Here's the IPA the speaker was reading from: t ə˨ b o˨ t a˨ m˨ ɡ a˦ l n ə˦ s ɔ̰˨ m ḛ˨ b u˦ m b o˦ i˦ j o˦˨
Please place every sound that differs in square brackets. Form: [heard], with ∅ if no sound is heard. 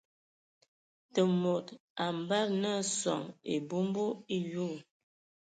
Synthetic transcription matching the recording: t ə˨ [m] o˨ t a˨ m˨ [b] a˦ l n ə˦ s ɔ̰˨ [ŋ] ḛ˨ b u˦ m b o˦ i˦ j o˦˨